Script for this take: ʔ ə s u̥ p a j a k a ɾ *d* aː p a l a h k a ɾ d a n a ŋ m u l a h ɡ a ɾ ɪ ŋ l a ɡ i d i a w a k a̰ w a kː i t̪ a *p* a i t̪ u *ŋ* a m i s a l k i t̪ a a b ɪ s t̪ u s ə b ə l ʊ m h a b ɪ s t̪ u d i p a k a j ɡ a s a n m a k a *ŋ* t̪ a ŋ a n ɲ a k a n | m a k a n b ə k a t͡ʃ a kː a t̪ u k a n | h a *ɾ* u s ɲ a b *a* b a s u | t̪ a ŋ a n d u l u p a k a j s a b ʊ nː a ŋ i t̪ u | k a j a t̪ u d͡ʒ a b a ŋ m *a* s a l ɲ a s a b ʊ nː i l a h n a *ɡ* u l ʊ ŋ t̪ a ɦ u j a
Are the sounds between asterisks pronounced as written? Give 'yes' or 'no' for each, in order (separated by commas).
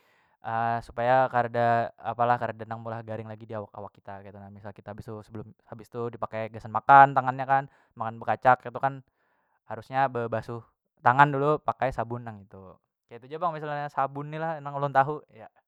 yes, no, no, no, yes, no, no, no